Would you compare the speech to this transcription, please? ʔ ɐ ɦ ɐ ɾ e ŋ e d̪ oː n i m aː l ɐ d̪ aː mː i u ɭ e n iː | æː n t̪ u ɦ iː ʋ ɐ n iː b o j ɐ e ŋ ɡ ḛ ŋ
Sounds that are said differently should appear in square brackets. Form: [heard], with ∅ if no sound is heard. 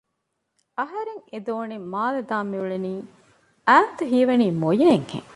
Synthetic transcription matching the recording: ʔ ɐ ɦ ɐ ɾ e ŋ e d̪ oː n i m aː l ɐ d̪ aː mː i u ɭ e n iː | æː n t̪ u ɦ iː ʋ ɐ n iː [m] o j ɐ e ŋ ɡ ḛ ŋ